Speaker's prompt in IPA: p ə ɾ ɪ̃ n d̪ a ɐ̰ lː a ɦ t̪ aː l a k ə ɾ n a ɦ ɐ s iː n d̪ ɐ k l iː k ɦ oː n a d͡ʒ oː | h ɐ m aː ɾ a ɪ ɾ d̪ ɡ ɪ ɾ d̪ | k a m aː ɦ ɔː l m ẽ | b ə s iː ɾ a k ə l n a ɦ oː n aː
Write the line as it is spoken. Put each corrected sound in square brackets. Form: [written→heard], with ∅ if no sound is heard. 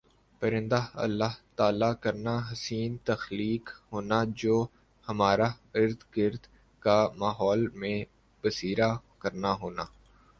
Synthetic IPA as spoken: p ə ɾ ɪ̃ n d̪ a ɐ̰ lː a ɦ t̪ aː l a k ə ɾ n a ɦ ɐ s iː n [d̪→t̪] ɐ [k→x] l iː k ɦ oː n a d͡ʒ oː | h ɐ m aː ɾ a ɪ ɾ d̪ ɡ ɪ ɾ d̪ | k a m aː ɦ ɔː l m ẽ | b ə s iː ɾ a k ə [l→ɾ] n a ɦ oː n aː